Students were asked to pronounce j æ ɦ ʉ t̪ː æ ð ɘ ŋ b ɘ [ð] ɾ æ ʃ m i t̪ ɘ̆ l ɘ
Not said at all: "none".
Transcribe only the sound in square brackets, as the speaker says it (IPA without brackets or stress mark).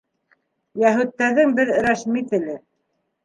ð